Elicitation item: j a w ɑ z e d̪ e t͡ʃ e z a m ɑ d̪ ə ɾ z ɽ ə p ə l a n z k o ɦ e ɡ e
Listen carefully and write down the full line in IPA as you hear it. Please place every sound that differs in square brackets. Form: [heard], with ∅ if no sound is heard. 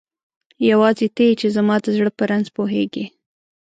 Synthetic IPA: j a w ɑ z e [t̪] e t͡ʃ e z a m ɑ d̪ ə [∅] z ɽ ə p ə [ɾ] a n z [p] o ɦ e ɡ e